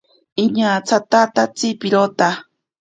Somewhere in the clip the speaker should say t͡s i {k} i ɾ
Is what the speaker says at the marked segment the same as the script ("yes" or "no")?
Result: no